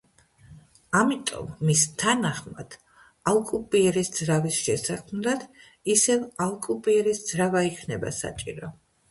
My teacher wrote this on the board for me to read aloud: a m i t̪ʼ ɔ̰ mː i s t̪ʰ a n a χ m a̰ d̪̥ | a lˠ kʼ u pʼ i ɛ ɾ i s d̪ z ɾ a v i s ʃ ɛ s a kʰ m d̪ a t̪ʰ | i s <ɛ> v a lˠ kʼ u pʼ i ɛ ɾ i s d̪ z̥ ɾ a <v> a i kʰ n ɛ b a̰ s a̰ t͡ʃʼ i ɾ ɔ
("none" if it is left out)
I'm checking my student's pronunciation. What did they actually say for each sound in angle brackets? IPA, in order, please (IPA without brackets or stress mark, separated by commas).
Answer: ɛ, v